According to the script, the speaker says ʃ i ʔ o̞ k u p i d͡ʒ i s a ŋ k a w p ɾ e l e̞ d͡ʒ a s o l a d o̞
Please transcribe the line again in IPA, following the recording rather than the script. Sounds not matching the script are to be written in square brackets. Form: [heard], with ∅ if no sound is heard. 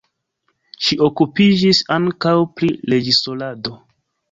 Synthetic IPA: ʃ i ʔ o̞ k u p i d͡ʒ i s a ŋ k a w p ɾ [i] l e̞ d͡ʒ [i] s o l a d o̞